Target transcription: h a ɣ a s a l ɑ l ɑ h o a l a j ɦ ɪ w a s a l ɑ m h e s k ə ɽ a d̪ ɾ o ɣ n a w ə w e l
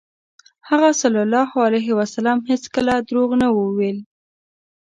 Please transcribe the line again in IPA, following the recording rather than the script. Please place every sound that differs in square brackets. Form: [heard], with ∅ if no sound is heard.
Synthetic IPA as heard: h a ɣ a s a l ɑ l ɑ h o a l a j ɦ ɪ w a s a l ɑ m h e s k ə [l] a d̪ ɾ o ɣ n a w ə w e l